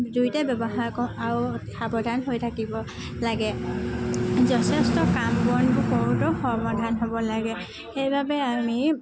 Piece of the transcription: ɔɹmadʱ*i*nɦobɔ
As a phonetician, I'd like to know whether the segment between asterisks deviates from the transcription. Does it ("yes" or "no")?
yes